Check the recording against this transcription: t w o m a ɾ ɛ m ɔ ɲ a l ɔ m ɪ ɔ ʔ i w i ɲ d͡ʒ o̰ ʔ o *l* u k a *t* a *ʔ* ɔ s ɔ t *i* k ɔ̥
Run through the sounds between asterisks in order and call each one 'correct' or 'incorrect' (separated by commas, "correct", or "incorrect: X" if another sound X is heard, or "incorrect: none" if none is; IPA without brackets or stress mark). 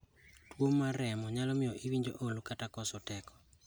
correct, correct, incorrect: k, incorrect: ɛ